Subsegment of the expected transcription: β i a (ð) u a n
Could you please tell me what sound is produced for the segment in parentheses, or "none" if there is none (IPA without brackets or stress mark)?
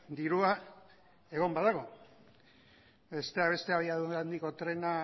ð